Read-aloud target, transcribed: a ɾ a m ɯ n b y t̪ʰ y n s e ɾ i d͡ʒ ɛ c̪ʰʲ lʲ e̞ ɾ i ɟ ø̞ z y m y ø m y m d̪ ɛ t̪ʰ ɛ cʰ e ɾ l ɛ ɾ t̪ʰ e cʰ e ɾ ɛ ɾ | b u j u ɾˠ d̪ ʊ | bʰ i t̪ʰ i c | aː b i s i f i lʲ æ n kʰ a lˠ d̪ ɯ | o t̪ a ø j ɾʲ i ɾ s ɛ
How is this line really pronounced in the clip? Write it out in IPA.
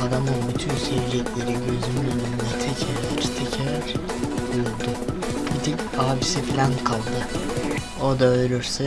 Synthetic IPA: a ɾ a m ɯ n b y t̪ʰ y n s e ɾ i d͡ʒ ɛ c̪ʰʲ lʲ e̞ ɾ i ɟ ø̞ z y m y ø n y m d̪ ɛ t̪ʰ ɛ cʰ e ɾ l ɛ ɾ t̪ʰ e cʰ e ɾ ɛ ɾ | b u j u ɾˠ d̪ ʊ | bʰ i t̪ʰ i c | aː b i s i f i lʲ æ n kʰ a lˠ d̪ ɯ | o d̪ a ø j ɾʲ y ɾ s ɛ